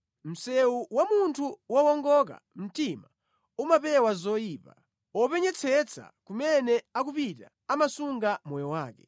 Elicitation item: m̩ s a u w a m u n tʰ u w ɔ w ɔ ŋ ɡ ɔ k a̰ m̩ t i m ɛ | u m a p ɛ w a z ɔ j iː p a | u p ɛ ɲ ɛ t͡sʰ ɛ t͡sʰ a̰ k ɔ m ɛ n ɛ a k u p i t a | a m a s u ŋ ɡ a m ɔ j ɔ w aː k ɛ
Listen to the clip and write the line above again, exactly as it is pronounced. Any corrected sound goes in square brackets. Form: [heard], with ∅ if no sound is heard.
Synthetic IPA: m̩ s [ɛ] u w a m u n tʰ u w ɔ w ɔ ŋ ɡ ɔ k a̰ m̩ t i m [a] | u m a p ɛ w a z ɔ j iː p a | [ɔ] p ɛ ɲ ɛ t͡sʰ ɛ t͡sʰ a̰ k [u] m ɛ n ɛ a k u p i t a | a m a s u ŋ ɡ a m ɔ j ɔ w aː k ɛ